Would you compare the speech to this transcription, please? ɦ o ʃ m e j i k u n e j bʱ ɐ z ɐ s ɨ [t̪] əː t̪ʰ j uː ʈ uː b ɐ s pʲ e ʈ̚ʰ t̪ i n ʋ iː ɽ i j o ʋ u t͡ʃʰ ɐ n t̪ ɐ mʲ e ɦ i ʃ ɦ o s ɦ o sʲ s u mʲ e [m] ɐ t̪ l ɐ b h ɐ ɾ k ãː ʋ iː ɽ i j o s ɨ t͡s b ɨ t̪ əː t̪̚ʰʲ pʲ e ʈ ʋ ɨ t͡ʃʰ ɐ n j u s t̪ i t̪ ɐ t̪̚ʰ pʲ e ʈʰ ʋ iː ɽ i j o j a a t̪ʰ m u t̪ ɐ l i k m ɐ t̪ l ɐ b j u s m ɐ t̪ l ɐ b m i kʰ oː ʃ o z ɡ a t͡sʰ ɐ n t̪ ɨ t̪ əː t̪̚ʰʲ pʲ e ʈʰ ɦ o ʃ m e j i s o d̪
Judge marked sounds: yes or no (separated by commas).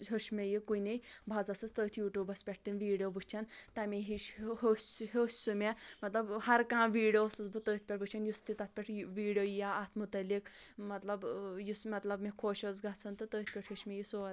yes, yes